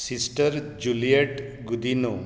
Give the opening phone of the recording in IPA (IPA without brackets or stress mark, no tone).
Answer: s